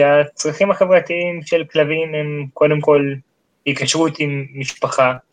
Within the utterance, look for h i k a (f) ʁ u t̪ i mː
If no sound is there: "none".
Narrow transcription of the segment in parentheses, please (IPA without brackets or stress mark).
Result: ʃ